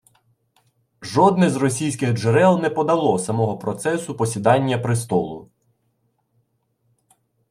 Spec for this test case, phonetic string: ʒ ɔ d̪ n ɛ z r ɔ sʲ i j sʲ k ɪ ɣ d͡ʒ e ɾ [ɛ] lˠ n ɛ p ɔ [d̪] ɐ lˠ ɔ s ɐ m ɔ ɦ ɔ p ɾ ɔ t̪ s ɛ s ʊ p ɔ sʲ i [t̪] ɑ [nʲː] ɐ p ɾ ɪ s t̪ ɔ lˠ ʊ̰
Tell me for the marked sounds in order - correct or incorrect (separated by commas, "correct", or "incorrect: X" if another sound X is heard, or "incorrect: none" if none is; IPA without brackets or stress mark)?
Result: correct, correct, incorrect: d̪, correct